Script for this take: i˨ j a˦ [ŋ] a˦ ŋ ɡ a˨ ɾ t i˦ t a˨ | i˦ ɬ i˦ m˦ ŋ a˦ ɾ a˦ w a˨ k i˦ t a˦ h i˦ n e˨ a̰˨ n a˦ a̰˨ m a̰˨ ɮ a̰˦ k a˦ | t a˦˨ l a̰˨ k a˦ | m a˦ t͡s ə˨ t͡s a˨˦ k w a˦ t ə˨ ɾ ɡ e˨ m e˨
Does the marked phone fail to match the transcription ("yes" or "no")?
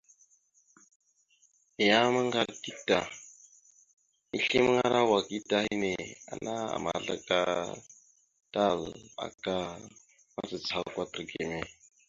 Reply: yes